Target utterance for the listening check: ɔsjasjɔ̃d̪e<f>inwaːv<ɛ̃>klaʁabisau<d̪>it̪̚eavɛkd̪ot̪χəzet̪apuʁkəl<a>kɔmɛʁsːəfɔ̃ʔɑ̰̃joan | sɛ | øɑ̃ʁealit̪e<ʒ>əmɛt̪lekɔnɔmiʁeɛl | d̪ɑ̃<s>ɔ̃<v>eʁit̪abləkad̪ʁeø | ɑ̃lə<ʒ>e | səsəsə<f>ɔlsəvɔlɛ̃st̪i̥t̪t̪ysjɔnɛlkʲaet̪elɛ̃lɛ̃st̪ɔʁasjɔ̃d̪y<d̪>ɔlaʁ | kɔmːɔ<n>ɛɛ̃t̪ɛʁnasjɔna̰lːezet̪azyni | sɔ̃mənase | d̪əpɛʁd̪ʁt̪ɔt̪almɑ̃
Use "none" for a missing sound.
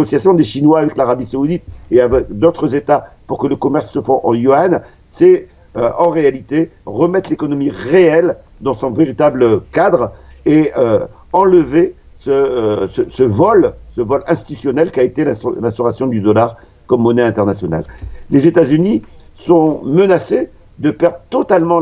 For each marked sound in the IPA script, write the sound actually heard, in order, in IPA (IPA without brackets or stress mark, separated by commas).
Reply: ʃ, ɛ, d̪, ə, ʁ, s, v, v, v, d̪, n